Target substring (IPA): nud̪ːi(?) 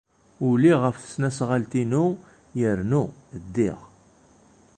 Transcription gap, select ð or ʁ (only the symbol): ʁ